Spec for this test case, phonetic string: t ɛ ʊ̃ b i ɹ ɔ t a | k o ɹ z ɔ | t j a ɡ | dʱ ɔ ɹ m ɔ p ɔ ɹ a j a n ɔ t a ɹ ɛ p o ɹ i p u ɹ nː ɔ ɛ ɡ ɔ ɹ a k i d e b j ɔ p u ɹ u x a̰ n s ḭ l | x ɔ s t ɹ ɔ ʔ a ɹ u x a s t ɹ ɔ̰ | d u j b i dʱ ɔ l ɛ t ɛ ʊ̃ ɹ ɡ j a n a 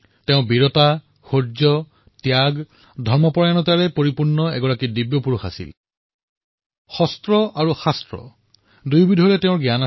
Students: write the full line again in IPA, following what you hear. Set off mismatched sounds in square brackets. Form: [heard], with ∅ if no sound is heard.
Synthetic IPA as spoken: t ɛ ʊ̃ b i ɹ ɔ t a | [x] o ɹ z ɔ | t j a ɡ | dʱ ɔ ɹ m ɔ p ɔ ɹ a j a n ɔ t a ɹ ɛ p o ɹ i p u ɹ nː ɔ ɛ ɡ ɔ ɹ a k i d [i] b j ɔ p u ɹ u x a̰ [∅] s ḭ l | x ɔ s t ɹ ɔ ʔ a ɹ u x a s t ɹ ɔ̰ | d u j b i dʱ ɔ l ɛ t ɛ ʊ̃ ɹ ɡ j a n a